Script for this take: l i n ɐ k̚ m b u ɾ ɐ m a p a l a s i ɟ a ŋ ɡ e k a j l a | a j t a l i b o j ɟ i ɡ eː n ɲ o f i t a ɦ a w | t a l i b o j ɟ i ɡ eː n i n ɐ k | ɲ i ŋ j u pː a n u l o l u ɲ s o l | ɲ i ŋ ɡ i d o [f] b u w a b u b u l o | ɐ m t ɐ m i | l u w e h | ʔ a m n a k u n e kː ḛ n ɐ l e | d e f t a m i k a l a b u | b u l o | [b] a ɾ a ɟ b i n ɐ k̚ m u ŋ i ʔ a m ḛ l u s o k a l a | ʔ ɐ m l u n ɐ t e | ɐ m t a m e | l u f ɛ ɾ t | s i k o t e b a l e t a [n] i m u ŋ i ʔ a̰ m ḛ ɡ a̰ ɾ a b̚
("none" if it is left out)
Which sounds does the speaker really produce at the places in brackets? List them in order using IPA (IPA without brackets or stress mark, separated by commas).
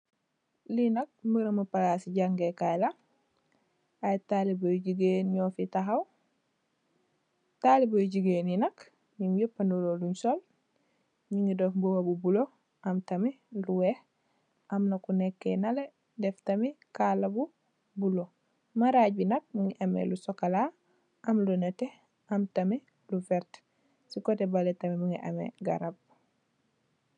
f, m, m